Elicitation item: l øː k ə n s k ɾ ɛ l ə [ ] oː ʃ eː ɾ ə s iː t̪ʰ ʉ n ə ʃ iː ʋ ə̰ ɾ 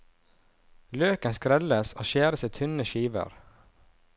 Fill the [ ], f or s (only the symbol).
s